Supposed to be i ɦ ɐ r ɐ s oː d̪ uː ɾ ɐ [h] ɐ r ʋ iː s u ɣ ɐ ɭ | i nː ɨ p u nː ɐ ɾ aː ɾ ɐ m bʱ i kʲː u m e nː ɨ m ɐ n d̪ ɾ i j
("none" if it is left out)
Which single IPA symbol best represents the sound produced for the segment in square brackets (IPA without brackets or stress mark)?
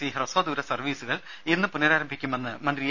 s